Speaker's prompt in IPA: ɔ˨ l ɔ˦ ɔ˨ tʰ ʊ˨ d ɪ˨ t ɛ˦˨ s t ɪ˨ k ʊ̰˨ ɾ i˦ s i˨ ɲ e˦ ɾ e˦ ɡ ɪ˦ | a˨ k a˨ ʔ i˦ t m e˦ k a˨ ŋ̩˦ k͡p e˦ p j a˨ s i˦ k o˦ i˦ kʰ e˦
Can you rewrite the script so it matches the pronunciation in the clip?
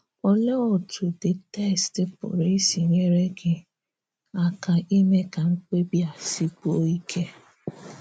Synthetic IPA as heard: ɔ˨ l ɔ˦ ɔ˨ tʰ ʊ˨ d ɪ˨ t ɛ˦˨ s t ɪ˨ p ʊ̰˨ ɾ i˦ s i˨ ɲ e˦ ɾ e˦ ɡ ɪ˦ | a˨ k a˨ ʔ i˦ m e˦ k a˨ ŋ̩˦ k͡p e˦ b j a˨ s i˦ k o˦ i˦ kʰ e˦

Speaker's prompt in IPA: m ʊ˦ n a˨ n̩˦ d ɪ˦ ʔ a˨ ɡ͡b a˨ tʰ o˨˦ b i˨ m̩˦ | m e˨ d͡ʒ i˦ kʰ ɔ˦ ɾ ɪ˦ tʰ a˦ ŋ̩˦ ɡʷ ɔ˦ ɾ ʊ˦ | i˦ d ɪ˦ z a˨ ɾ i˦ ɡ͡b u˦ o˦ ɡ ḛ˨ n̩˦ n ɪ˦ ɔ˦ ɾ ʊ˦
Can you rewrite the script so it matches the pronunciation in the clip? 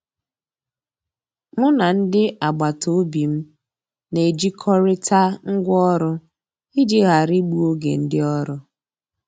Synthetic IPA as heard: m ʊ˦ n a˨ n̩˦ d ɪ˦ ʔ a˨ ɡ͡b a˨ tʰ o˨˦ b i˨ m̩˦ | n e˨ d͡ʒ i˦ kʰ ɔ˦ ɾ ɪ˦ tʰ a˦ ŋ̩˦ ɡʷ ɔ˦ ɾ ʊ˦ | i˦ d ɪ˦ ɣ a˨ ɾ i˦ ɡ͡b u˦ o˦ ɡ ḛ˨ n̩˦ d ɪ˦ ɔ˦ ɾ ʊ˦

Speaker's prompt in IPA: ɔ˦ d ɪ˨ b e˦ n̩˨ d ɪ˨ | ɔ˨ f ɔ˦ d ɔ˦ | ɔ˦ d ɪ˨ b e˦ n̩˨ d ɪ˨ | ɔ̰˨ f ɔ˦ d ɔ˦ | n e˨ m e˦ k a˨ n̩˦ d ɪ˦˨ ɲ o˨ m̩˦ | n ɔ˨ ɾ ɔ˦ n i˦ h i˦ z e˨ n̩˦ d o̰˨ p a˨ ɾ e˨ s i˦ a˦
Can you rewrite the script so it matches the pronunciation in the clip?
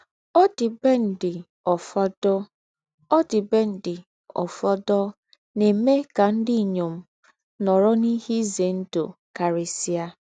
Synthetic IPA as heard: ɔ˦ d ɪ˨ b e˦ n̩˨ d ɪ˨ | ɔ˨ f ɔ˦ d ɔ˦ | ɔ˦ d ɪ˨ b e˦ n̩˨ d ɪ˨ | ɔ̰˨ f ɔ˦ d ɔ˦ | n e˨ m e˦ k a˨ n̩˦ d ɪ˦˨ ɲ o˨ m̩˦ | n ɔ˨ ɾ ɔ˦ n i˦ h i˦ z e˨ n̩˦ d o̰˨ k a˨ ɾ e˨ s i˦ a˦

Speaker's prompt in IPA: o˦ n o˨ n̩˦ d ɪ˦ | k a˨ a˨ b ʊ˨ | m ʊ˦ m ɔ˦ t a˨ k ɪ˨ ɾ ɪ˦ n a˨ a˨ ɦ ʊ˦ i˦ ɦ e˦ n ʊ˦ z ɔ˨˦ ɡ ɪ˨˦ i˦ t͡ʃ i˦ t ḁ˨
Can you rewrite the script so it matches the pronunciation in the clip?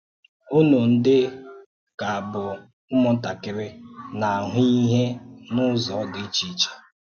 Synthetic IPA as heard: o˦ n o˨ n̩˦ d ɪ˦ | k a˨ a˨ b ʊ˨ | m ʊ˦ m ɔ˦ t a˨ k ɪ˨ ɾ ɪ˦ n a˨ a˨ ɦ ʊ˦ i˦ ɦ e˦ n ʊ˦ z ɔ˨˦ d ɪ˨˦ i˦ t͡ʃ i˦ t͡ʃ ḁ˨

